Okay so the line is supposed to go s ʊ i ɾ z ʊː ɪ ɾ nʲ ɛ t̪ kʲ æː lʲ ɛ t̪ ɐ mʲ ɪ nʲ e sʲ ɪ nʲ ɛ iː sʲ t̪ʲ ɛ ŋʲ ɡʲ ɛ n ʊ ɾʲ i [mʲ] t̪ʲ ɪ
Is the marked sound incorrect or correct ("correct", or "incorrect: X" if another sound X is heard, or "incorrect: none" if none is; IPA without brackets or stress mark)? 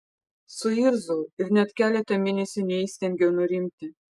correct